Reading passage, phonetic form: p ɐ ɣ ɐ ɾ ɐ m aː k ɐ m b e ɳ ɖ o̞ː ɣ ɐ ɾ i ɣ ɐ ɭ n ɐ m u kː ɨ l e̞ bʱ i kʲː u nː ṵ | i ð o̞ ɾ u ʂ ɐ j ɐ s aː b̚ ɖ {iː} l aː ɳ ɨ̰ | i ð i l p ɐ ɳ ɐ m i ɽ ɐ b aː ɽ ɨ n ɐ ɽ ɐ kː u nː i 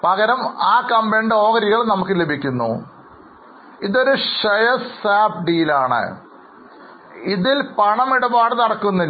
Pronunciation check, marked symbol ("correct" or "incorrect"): correct